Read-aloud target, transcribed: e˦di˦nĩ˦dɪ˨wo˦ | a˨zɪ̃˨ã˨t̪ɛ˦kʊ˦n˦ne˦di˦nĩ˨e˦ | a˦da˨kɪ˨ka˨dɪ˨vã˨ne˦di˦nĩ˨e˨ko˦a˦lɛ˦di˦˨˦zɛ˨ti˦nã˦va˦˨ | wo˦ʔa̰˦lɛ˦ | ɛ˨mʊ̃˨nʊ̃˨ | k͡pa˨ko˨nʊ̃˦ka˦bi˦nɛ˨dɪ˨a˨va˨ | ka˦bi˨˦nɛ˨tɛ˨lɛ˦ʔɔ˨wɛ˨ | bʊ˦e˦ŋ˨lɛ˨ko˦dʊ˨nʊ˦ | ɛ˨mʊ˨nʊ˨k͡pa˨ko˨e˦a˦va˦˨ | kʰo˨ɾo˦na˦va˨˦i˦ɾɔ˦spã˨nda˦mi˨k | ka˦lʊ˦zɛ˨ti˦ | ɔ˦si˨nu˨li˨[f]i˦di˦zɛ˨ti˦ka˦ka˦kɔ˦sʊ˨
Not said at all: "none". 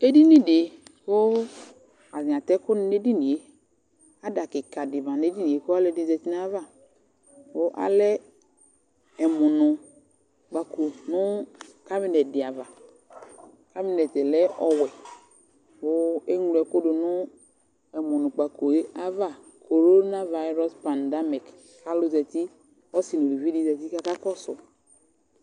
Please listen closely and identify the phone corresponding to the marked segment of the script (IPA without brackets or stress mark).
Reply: v